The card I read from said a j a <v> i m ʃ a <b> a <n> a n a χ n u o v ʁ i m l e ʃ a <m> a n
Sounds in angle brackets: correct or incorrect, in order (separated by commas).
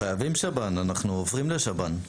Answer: correct, correct, correct, incorrect